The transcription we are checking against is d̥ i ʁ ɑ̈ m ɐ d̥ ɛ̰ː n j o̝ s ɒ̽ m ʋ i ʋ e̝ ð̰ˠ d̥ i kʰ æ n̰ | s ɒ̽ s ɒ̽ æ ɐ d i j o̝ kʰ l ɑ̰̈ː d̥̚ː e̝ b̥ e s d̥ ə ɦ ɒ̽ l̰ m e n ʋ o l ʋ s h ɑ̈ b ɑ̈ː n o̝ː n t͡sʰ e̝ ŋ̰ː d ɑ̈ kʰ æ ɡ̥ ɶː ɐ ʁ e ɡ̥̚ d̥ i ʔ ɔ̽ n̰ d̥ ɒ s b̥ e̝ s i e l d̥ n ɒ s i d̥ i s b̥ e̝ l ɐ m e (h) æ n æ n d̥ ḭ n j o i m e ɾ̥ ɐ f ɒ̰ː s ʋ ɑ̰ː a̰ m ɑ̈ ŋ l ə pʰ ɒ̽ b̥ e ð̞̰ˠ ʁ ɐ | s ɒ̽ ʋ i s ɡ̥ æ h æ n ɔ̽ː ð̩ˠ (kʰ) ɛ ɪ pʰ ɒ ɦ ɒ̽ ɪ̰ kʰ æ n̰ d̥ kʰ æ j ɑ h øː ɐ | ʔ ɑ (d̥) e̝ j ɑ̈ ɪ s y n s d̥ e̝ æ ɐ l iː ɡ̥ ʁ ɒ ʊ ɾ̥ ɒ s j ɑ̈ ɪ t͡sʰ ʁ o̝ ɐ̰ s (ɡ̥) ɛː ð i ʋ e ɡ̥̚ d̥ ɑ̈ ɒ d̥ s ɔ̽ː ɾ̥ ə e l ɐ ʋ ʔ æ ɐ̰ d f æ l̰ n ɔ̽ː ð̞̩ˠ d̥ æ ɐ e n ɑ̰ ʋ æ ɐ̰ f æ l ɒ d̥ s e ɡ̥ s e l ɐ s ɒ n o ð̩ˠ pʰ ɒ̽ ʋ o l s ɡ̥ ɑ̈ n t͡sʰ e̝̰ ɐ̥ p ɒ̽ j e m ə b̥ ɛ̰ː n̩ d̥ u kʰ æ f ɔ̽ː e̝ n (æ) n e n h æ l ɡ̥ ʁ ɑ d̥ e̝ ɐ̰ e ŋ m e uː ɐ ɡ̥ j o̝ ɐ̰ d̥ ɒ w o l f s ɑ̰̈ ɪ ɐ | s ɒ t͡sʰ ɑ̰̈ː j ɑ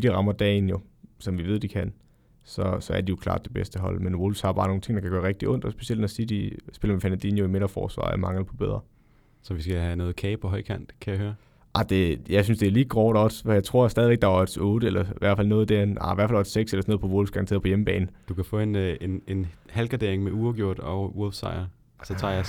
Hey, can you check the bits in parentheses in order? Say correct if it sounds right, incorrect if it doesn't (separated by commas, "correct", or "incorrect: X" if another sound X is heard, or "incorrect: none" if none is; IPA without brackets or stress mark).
incorrect: f, correct, correct, incorrect: d̥, incorrect: e